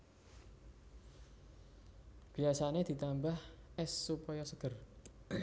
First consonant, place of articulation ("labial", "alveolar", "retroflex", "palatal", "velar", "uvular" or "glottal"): labial